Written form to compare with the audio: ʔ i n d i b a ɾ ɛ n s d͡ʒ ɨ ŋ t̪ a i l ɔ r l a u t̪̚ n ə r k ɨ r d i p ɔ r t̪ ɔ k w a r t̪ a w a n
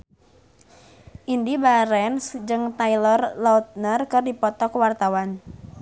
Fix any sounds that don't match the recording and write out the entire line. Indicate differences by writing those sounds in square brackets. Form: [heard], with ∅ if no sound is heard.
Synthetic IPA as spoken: ʔ i n d i b a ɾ ɛ n s d͡ʒ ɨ ŋ t̪ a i l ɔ r l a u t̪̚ n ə r k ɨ r d i p ɔ [∅] t̪ ɔ k w a r t̪ a w a n